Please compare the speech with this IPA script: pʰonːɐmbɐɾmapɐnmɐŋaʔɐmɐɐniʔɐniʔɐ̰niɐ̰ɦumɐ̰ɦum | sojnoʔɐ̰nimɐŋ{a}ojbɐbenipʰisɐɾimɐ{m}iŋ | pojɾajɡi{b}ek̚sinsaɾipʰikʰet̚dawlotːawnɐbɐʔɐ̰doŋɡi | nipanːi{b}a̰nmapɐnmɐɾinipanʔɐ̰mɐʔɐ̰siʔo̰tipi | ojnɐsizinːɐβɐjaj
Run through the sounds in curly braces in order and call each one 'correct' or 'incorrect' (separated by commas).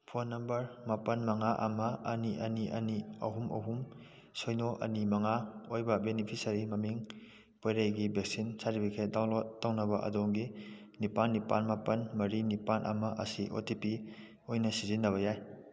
correct, correct, correct, incorrect